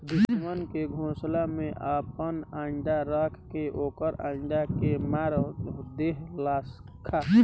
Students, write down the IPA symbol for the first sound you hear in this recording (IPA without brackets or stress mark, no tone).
d̪